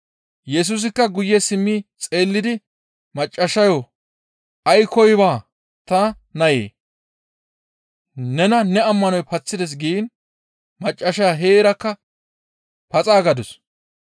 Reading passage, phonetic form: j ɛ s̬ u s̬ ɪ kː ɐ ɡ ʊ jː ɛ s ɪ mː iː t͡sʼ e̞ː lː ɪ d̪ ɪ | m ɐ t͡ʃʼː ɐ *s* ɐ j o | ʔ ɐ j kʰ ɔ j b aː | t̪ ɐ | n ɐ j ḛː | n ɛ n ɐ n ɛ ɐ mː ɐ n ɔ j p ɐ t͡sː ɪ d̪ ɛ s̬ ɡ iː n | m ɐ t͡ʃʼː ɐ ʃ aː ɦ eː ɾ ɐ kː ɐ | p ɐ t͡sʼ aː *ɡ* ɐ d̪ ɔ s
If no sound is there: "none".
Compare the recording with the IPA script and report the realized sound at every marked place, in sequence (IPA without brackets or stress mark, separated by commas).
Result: ʃ, ɡ